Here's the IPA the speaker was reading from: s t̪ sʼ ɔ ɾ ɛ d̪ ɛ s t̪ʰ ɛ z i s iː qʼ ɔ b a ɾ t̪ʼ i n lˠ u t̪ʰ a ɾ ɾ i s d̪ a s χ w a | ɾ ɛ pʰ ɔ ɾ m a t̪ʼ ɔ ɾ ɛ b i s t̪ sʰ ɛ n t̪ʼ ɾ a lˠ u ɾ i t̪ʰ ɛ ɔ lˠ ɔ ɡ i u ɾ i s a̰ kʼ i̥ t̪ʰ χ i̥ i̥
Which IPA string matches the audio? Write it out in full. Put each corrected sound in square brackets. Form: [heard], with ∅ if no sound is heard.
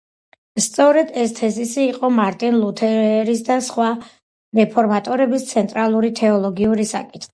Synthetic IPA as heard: s t̪ sʼ ɔ ɾ ɛ d̪ ɛ s t̪ʰ ɛ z i s iː qʼ ɔ [m] a ɾ t̪ʼ i n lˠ u t̪ʰ [ɛ] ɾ ɾ i s d̪ a s χ w a | ɾ ɛ pʰ ɔ ɾ m a t̪ʼ ɔ ɾ ɛ b i s t̪ sʰ ɛ n t̪ʼ ɾ a lˠ u ɾ i t̪ʰ ɛ ɔ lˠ ɔ ɡ i u ɾ i s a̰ kʼ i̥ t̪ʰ χ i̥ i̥